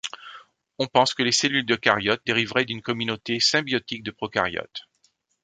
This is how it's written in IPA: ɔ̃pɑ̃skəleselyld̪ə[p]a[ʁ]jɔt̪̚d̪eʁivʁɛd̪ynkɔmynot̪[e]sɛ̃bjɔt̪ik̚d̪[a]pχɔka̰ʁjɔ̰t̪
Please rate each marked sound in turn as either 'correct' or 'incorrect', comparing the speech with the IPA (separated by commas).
incorrect, correct, correct, incorrect